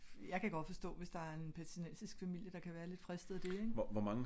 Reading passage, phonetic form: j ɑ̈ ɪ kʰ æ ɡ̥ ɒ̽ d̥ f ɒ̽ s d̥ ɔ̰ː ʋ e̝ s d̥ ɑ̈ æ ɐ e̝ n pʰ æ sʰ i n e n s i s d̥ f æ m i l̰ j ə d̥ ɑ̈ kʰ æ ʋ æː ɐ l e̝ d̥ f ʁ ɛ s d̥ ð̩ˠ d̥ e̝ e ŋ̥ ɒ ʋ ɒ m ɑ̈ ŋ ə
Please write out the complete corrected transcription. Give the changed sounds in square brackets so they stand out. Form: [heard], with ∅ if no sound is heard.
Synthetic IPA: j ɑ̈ ɪ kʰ æ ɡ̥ ɒ̽ d̥ f ɒ̽ s d̥ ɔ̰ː ʋ e̝ s d̥ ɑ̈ æ ɐ e̝ n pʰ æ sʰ i n e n s i s [ɡ̥] f æ m i l̰ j ə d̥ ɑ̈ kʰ æ ʋ æː ɐ l e̝ d̥ f ʁ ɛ s d̥ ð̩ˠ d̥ e̝ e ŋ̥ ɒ ʋ ɒ m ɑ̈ ŋ ə